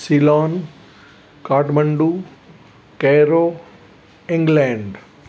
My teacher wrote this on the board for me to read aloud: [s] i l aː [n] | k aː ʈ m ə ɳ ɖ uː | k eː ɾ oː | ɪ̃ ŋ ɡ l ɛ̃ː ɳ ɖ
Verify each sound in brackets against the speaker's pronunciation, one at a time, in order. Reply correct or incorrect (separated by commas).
correct, correct